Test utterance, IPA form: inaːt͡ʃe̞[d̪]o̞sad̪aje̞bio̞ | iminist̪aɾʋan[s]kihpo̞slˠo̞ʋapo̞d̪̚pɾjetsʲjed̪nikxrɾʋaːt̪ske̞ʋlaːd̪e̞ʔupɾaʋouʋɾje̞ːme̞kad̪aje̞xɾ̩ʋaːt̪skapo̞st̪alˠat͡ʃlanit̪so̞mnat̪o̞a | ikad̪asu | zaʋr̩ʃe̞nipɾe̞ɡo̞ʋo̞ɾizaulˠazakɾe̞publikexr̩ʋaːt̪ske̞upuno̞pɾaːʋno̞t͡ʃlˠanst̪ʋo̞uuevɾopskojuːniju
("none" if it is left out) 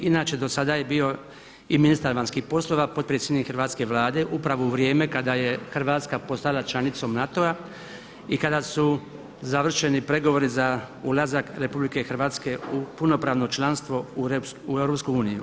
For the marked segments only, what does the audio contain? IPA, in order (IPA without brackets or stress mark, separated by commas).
d̪, s